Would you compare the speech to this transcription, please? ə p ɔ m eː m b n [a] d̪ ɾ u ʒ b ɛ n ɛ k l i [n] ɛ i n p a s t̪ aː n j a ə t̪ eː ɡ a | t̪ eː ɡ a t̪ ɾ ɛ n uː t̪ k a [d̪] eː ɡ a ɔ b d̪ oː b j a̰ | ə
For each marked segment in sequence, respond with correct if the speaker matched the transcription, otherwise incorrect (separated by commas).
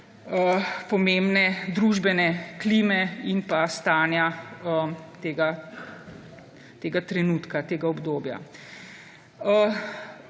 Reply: incorrect, incorrect, incorrect